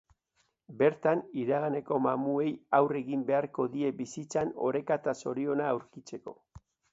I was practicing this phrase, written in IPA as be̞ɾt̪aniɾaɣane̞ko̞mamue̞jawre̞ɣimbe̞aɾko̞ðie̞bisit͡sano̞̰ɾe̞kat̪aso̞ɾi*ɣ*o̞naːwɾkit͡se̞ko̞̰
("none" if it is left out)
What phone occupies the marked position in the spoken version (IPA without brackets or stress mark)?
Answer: none